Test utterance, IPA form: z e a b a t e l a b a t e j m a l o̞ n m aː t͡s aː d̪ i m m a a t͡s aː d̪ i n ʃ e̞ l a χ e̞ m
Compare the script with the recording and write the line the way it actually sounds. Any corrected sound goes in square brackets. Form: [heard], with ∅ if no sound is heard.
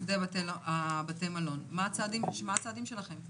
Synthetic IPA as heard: z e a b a t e l a b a t e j m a l o̞ n m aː t͡s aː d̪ i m m a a t͡s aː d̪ i [m] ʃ e̞ l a χ e̞ m